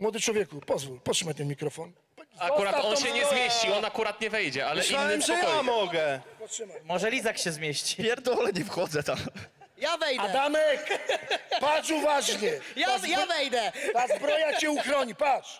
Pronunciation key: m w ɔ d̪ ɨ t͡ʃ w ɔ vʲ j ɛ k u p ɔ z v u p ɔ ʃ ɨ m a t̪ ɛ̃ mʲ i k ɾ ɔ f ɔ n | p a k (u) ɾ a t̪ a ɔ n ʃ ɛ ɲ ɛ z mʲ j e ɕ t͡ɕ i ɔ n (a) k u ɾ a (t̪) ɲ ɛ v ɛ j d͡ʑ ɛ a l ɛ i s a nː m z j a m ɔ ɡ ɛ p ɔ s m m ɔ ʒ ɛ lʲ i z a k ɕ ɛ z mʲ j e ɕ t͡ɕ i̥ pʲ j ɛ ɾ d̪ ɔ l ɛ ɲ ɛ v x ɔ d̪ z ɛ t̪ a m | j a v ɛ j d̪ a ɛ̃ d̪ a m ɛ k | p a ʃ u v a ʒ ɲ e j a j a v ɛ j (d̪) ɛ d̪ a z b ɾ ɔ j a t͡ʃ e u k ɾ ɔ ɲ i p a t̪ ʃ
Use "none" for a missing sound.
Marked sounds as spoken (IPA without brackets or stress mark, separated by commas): u, a, t̪, d̪